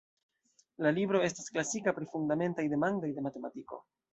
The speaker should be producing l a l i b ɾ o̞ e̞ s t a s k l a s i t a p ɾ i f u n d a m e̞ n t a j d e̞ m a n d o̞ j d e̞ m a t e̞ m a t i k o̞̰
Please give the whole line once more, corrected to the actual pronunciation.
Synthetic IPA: l a l i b ɾ o̞ e̞ s t a s k l a s i k a p ɾ i f u n d a m e̞ n t a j d e̞ m a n d o̞ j d e̞ m a t e̞ m a t i k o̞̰